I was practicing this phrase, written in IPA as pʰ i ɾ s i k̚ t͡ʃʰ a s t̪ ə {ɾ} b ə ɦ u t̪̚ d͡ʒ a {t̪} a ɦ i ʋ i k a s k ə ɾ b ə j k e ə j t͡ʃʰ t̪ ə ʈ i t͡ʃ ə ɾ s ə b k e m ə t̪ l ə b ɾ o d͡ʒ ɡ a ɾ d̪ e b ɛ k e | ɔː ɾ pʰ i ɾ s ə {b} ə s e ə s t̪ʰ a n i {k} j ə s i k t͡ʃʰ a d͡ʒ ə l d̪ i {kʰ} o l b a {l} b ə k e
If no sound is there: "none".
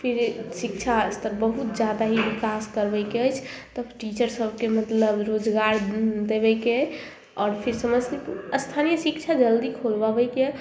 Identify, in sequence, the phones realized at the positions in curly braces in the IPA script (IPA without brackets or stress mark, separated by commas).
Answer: ɾ, d̪, m, none, kʰ, none